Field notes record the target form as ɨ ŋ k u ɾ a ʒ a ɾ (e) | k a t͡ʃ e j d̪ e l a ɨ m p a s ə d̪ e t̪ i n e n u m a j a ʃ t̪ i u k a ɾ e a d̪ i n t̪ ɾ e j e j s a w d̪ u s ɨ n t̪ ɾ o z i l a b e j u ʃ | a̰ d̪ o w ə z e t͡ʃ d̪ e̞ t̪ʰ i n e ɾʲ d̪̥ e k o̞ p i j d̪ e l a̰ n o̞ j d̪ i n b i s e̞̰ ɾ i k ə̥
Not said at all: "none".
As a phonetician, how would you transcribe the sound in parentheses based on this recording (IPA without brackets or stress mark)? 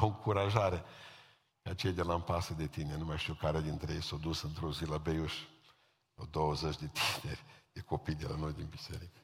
e